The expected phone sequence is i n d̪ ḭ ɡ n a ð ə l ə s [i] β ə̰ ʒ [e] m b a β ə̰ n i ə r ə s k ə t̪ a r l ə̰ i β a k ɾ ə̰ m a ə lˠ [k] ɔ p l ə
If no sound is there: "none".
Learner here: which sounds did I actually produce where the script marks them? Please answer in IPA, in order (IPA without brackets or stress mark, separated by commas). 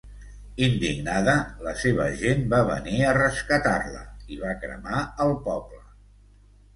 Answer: e, e, p